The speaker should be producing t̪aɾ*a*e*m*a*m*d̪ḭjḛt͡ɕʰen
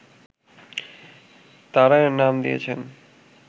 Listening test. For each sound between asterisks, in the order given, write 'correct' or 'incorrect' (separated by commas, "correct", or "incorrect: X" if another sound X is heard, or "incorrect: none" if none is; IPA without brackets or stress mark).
correct, incorrect: n, correct